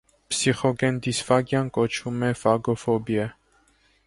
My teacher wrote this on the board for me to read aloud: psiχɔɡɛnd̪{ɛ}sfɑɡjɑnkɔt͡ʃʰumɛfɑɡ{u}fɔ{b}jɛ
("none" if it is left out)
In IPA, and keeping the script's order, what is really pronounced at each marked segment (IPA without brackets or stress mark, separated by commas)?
i, ɔ, b